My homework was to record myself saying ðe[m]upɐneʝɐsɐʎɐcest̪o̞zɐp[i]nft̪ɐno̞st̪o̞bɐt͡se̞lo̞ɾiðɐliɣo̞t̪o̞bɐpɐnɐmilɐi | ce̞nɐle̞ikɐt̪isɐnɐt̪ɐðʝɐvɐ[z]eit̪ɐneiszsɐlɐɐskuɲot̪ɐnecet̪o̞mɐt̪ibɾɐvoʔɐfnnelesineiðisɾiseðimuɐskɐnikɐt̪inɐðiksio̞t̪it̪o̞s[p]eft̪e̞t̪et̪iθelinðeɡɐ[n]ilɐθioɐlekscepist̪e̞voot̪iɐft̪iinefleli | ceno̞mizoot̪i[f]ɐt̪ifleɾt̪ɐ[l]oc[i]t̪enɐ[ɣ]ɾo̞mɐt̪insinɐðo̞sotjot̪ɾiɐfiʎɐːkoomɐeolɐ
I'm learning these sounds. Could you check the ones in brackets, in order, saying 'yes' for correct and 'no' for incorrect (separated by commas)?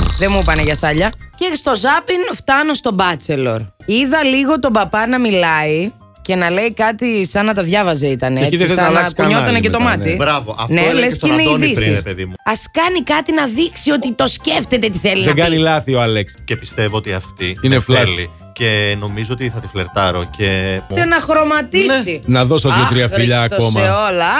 yes, yes, yes, no, yes, no, no, no, no